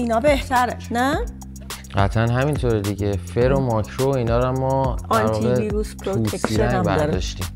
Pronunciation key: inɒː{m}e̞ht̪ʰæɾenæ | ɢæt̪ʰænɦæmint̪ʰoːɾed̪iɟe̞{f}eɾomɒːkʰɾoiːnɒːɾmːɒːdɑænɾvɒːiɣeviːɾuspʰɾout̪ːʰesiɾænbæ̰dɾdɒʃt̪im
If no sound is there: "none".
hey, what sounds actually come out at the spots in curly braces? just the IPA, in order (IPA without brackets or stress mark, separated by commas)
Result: b, f